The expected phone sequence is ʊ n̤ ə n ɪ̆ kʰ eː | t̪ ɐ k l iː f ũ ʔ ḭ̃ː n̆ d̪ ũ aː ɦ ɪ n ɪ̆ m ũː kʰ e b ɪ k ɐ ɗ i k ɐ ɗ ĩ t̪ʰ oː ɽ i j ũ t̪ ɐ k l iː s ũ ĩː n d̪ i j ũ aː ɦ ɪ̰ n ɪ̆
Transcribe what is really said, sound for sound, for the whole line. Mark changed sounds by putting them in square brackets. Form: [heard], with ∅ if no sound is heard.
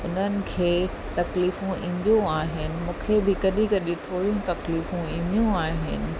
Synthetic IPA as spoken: ʊ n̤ ə n ɪ̆ kʰ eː | t̪ ɐ k l iː f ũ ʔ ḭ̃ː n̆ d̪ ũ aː ɦ ɪ n ɪ̆ m ũː kʰ e b ɪ k ɐ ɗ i k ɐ ɗ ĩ t̪ʰ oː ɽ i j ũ t̪ ɐ k l iː [f] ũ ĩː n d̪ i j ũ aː ɦ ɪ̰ n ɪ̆